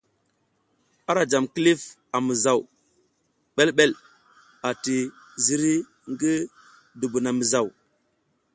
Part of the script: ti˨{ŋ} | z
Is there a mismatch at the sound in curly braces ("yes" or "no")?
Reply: yes